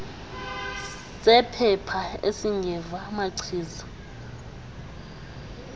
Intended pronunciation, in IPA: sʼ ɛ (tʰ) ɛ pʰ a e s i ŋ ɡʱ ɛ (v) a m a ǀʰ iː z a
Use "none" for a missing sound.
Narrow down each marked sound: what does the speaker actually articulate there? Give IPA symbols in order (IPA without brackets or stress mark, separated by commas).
pʰ, v